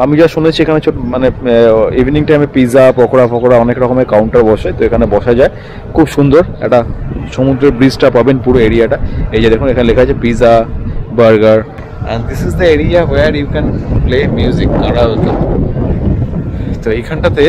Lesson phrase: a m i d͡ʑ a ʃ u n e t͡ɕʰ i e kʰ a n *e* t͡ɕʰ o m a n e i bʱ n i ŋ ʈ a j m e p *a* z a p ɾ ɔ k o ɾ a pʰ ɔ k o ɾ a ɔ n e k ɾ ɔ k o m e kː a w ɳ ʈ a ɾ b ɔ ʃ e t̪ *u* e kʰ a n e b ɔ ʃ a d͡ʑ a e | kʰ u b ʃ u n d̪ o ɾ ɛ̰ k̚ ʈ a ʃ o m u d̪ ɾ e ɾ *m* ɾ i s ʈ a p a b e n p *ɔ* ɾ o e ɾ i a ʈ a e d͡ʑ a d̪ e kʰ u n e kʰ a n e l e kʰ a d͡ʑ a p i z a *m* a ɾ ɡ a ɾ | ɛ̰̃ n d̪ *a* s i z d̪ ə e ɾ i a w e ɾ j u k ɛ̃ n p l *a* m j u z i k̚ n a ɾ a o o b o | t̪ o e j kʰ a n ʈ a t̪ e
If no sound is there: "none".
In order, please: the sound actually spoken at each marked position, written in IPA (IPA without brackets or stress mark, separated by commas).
e, i, o, b, u, b, i, e